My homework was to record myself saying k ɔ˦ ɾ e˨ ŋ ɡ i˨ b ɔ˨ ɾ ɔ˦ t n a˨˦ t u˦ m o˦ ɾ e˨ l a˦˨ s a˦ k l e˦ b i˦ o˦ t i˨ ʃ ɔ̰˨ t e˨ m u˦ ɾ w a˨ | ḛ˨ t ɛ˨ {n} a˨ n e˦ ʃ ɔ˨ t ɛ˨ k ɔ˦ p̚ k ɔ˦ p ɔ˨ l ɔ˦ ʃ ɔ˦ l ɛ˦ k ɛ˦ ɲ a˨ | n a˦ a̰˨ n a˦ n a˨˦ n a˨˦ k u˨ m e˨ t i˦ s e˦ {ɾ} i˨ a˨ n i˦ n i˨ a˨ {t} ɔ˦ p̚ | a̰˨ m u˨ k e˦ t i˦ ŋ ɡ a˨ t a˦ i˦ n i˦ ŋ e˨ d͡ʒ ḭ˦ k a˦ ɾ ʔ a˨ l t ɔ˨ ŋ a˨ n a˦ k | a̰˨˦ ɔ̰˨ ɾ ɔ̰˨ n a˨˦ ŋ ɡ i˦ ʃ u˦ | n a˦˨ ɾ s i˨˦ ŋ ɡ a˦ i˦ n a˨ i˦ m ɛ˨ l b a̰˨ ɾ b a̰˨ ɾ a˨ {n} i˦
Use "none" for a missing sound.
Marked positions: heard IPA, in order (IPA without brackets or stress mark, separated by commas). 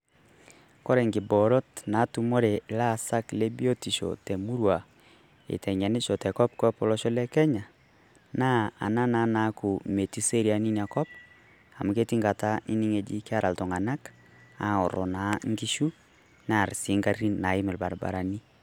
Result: ɲ, ɾ, k, n